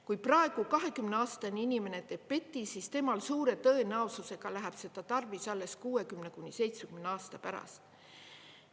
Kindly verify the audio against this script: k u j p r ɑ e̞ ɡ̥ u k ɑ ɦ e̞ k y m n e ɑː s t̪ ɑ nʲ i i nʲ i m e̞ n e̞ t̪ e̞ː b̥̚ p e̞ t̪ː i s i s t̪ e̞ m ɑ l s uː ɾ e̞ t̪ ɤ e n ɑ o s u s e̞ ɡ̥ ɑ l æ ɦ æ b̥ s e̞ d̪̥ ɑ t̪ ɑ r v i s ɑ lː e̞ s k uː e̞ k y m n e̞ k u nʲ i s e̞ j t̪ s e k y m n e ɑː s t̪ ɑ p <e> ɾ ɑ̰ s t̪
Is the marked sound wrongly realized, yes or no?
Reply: yes